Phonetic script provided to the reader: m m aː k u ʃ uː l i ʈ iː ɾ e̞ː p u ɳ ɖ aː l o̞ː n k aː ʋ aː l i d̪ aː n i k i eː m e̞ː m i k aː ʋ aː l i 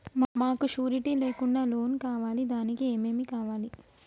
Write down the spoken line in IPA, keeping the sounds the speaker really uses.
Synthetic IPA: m m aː k u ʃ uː ɾ i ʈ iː l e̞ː k u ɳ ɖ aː l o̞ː n k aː ʋ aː l i d̪ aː n i k i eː m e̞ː m i k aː ʋ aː l i

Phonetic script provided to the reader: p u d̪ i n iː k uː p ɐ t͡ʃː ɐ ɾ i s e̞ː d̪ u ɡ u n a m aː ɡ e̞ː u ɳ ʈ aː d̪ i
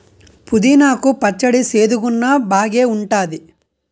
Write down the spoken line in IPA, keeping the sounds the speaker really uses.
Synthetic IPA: p u d̪ i n aː k u p ɐ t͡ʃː ɐ ɽ i s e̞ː d̪ u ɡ u nː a b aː ɡ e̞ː u ɳ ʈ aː d̪ i

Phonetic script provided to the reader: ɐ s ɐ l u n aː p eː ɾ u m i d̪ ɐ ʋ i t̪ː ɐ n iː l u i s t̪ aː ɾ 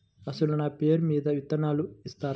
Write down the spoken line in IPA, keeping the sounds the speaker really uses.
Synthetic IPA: ɐ s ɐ l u n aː p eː ɾ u m iː d̪ ɐ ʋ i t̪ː ɐ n aː l u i s t̪ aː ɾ

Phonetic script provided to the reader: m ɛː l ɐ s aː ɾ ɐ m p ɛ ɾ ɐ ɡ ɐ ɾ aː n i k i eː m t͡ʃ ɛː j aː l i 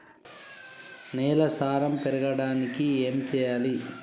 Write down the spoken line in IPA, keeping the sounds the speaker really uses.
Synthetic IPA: n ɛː l ɐ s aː ɾ ɐ m p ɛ ɾ ɐ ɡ ɐ ɽ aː n i k i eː m t͡ʃ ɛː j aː l i

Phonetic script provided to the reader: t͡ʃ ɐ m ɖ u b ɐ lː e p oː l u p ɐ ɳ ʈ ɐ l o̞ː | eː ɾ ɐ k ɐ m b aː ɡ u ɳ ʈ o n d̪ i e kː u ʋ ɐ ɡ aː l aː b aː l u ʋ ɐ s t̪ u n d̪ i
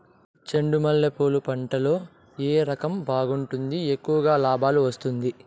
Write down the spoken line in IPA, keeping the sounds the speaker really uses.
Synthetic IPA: t͡ʃ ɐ ɳ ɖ u m ɐ lː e p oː l u p ɐ ɳ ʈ ɐ l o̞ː | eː ɾ ɐ k ɐ m b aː ɡ u ɳ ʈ u n d̪ i e kː u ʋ ɐ ɡ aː l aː b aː l u ʋ ɐ s t̪ u n d̪ i

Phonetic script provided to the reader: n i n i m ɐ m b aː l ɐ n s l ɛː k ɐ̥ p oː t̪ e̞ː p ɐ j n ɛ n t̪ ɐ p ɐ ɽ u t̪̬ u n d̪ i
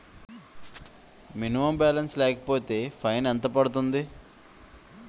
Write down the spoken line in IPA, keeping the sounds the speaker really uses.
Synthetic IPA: m i n i m ɐ m b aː l ɐ n s l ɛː k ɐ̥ p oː t̪ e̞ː pʰ ɐ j n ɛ n t̪ ɐ p ɐ ɽ u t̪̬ u n d̪ i

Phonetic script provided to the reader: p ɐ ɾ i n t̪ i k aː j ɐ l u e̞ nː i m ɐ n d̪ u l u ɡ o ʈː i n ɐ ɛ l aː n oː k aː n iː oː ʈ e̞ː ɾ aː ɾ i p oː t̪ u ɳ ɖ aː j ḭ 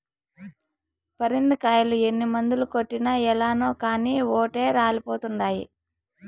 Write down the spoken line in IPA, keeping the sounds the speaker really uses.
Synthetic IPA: p ɐ ɾ i n d̪ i k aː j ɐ l u e̞ nː i m ɐ n d̪ u l u k o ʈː i n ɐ ɛ l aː n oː k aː n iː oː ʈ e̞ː ɾ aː l i p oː t̪ u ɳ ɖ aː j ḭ

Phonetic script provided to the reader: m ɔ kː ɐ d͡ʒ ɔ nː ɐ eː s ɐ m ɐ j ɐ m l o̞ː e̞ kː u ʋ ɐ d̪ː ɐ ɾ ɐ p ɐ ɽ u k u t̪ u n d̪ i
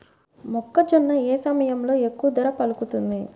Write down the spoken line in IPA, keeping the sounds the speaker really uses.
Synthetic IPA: m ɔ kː ɐ d͡ʒ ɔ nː ɐ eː s ɐ m ɐ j ɐ m l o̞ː e̞ kː u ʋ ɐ d̪ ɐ ɾ ɐ p ɐ l u k u t̪ u n d̪ i

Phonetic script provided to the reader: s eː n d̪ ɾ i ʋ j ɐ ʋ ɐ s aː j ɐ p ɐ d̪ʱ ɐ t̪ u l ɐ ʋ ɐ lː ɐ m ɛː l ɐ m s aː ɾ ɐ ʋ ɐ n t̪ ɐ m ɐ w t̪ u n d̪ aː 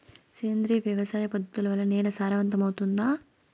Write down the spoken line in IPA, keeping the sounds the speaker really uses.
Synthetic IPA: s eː n d̪ ɾ i ʋ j ɐ ʋ ɐ s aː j ɐ p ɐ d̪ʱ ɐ t̪ u l ɐ ʋ ɐ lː ɐ n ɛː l ɐ s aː ɾ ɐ ʋ ɐ n t̪ ɐ m ɐ w t̪ u n d̪ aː

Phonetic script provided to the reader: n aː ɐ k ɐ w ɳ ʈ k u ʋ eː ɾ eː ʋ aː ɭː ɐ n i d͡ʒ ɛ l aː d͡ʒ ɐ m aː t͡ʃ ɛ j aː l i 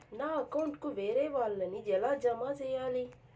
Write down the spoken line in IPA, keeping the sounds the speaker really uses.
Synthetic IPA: n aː ɐ k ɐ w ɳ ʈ k u ʋ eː ɾ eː ʋ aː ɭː ɐ n i d͡ʒ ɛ l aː d͡ʒ ɐ m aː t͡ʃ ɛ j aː l i

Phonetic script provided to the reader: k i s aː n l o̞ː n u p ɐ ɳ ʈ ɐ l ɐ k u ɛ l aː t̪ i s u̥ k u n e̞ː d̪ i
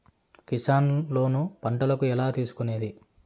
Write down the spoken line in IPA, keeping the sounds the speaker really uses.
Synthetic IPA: k i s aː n l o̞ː n u p ɐ ɳ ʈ ɐ l ɐ k u ɛ l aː t̪ iː s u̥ k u n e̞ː d̪ i

